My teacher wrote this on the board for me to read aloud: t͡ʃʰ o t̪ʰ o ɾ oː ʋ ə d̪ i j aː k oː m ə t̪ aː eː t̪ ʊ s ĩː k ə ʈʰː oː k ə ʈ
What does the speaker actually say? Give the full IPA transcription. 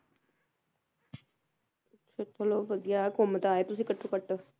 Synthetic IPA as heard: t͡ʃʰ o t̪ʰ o l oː ʋ ə d̪ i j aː k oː m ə t̪ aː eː t̪ ʊ s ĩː k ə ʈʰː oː k ə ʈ